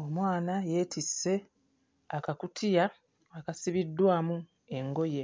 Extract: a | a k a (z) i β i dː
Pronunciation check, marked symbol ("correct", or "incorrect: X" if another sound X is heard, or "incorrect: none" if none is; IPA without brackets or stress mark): incorrect: s